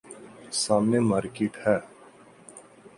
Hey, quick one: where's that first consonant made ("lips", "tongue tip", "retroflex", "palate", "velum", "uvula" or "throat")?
tongue tip